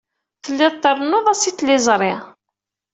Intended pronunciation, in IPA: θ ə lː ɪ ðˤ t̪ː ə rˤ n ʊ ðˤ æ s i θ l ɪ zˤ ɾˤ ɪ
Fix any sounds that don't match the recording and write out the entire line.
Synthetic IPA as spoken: θ ə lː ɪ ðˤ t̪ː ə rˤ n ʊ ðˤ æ s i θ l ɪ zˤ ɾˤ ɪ